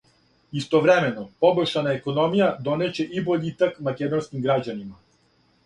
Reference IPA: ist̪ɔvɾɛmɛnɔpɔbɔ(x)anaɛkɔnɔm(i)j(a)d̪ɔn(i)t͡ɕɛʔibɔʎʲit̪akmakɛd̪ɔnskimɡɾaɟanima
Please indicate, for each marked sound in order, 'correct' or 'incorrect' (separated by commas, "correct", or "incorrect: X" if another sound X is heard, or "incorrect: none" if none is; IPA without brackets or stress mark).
incorrect: ʃ, correct, correct, incorrect: ɛ